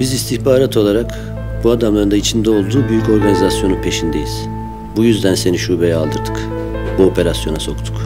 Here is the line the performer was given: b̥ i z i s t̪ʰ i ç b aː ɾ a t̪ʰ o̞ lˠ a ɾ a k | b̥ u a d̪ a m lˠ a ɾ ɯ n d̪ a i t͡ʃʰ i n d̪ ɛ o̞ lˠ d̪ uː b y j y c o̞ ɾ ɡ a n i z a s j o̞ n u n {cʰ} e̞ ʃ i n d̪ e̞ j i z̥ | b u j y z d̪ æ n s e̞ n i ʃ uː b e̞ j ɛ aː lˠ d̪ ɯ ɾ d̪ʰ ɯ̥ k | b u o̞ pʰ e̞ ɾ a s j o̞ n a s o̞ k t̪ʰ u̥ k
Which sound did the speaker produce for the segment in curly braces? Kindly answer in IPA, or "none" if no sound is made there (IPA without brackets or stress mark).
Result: pʰ